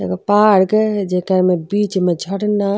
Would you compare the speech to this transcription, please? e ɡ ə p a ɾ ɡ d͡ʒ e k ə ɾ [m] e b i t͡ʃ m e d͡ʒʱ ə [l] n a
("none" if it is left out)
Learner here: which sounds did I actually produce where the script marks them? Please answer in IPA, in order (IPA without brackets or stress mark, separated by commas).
m, ɽ